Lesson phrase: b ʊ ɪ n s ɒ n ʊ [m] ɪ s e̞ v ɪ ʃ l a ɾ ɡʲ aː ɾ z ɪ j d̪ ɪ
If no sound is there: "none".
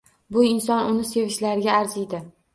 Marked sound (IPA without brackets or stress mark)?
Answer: n